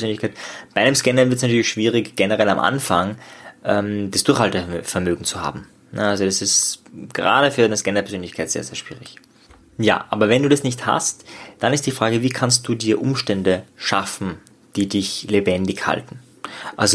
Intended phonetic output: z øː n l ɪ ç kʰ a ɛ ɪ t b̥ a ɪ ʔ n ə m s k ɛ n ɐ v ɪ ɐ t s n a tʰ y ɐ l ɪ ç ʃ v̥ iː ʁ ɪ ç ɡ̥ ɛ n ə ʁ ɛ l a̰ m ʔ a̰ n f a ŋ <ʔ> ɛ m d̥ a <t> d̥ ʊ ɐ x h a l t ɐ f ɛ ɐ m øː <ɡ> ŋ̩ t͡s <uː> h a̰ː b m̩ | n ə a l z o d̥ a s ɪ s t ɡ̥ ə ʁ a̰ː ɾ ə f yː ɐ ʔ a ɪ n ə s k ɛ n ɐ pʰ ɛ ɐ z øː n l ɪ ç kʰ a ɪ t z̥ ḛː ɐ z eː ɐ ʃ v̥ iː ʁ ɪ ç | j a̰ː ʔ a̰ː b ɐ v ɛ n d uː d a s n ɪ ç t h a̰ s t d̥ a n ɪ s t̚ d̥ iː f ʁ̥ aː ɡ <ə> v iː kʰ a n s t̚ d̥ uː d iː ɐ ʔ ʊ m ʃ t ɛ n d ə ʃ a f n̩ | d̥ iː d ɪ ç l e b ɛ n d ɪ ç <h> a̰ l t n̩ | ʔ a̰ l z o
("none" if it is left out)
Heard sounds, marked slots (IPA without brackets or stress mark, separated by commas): ʔ, s, ɡ, u, ə, h